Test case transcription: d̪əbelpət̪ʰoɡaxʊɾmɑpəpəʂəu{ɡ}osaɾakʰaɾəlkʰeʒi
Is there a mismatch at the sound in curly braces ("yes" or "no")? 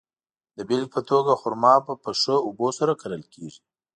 yes